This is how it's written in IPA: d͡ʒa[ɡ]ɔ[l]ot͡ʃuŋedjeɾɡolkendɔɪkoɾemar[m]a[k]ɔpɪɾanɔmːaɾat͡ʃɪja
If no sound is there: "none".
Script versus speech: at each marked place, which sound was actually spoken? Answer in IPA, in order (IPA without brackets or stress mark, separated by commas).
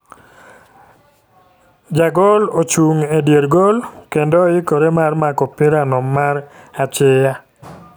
ɡ, l, m, k